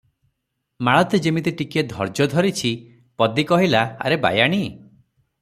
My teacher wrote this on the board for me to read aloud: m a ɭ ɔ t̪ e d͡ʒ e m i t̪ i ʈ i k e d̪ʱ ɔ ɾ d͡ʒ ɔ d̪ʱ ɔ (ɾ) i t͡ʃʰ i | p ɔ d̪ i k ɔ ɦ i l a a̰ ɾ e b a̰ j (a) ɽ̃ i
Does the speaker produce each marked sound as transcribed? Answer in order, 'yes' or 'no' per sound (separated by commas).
yes, yes